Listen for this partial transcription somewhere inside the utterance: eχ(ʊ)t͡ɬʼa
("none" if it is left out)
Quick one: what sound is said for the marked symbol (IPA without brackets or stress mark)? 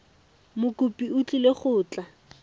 ʊː